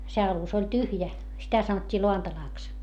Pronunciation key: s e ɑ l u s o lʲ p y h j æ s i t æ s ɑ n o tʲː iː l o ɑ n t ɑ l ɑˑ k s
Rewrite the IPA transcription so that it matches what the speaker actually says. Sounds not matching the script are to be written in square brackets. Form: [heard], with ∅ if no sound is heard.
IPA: s e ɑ l u s o lʲ [t] y h j æ s i t æ s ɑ n o tʲː iː l o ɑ n t ɑ l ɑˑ k s